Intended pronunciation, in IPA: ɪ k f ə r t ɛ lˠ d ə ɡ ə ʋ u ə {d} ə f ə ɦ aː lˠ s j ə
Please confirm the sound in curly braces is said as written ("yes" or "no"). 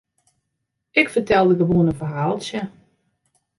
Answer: no